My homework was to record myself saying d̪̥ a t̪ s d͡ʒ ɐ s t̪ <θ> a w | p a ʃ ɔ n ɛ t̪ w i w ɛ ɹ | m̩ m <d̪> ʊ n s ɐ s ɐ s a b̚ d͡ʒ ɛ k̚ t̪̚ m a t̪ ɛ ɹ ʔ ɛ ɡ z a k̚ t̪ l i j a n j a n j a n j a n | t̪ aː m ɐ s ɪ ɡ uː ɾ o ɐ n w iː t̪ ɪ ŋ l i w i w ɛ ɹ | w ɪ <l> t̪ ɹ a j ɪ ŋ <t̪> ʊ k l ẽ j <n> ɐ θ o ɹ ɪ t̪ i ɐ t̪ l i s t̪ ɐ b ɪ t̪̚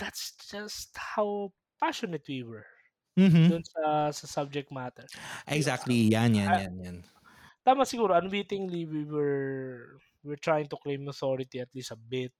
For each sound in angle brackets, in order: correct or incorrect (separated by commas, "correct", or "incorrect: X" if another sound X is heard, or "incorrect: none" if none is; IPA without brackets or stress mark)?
incorrect: h, correct, incorrect: ɹ, correct, incorrect: m